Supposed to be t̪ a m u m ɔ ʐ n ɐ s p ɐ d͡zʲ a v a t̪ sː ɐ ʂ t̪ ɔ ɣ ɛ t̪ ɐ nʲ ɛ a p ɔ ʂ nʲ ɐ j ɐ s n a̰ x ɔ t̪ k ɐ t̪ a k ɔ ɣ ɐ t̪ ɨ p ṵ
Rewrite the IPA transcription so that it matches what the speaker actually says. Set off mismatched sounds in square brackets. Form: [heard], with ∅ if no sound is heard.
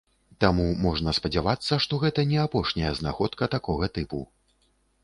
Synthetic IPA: t̪ a m u m ɔ ʐ n ɐ s p ɐ d͡zʲ a v a t̪ sː ɐ ʂ t̪ ɔ ɣ ɛ t̪ ɐ nʲ ɛ a p ɔ ʂ nʲ ɐ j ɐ [z] n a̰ x ɔ t̪ k ɐ t̪ a k ɔ ɣ ɐ t̪ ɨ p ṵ